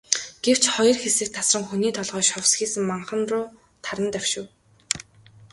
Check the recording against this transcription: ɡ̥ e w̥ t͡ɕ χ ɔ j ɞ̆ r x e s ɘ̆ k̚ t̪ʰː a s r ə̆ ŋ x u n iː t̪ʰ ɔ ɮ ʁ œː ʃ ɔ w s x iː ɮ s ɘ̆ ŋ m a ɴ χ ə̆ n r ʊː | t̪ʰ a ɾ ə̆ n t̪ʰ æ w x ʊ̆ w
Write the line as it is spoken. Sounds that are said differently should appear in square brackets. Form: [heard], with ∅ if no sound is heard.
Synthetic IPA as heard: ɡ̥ e w̥ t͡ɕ χ ɔ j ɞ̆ r x e s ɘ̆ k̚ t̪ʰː a s r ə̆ ŋ x u n iː t̪ʰ ɔ ɮ ʁ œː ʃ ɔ w s x iː [∅] s ɘ̆ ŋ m a ɴ χ ə̆ n r ʊː | t̪ʰ a ɾ ə̆ n [t̪] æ w [ʃ] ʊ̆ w